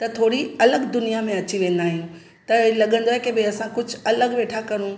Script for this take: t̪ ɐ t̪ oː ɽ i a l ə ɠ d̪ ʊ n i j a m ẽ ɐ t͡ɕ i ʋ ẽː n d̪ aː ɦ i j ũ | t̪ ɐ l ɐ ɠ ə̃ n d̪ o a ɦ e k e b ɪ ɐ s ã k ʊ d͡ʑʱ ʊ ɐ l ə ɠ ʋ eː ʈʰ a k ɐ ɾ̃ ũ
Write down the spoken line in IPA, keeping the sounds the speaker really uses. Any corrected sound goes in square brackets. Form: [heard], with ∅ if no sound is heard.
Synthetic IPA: t̪ ɐ [t̪ʰ] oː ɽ i [ɐ] l ə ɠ d̪ ʊ n i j a m ẽ ɐ t͡ɕ i ʋ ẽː n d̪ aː ɦ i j ũ | t̪ ɐ l ɐ ɠ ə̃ n d̪ o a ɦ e k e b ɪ ɐ s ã k ʊ d͡ʑʱ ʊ ɐ l ə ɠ ʋ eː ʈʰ a k ɐ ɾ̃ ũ